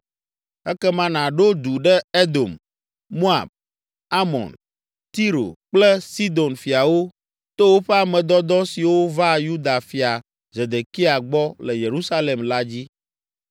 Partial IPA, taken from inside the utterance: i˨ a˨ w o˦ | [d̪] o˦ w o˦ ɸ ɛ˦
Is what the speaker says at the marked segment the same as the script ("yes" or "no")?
no